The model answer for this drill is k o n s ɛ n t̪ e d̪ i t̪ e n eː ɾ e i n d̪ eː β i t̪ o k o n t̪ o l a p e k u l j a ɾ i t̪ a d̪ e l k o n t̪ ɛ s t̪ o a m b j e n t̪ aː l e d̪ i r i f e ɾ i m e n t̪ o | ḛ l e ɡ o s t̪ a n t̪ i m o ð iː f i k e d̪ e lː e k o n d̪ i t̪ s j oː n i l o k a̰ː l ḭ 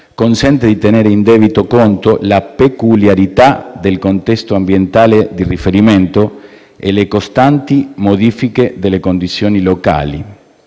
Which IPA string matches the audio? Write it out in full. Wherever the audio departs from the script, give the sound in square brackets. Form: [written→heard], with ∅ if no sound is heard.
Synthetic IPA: k o n s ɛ n t̪ e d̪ i t̪ e n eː ɾ e i n d̪ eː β i t̪ o k o n t̪ o l a p e k u l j a ɾ i t̪ a d̪ e l k o n t̪ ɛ s t̪ o a m b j e n t̪ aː l e d̪ i r i f e ɾ i m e n t̪ o | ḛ l e [ɡ→k] o s t̪ a n t̪ i m o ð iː f i k e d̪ e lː e k o n d̪ i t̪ s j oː n i l o k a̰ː l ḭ